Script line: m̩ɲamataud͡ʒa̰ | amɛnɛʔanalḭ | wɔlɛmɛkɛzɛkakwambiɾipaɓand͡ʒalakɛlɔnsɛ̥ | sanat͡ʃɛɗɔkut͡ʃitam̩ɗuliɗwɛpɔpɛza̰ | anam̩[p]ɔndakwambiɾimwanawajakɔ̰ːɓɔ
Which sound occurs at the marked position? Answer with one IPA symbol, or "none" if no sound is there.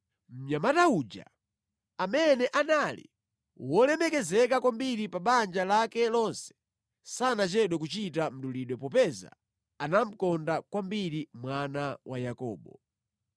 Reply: k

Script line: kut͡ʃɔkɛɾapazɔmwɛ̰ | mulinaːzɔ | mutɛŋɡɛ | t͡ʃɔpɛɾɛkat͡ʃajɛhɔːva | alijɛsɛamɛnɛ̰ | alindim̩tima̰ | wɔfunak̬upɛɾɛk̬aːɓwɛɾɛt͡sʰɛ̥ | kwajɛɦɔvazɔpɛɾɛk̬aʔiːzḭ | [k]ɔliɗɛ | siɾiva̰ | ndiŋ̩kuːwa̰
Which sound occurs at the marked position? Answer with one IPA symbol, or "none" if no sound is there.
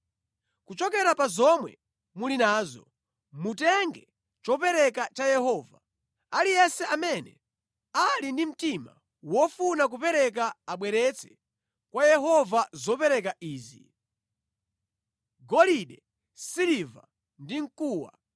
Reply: ɡ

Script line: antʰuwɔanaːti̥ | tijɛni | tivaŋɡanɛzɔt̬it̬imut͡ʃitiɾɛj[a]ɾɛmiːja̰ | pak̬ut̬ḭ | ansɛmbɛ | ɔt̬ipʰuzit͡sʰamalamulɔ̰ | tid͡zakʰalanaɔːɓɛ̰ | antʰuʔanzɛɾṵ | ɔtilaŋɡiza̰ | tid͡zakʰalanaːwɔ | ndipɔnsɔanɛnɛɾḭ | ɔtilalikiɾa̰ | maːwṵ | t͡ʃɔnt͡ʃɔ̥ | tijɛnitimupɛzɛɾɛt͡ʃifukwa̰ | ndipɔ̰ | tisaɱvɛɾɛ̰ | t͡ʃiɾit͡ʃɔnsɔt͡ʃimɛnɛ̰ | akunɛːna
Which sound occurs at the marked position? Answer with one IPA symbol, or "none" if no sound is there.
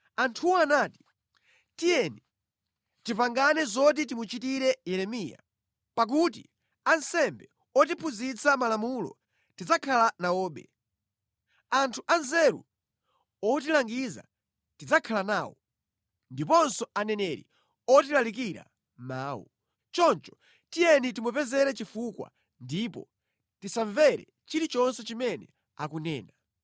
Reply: ɛ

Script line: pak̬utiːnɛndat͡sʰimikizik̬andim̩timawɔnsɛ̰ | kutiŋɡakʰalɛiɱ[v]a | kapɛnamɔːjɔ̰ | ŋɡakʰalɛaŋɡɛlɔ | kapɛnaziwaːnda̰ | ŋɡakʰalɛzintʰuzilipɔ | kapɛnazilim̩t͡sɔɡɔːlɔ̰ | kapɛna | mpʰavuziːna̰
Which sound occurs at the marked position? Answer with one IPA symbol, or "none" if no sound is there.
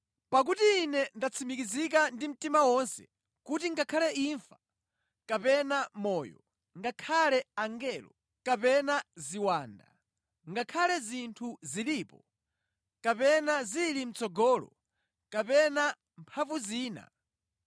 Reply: f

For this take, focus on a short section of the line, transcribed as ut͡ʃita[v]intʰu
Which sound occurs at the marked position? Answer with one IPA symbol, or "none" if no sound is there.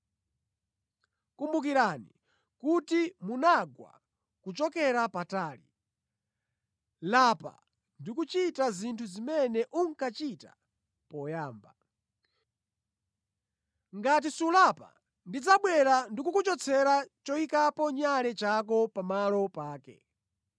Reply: z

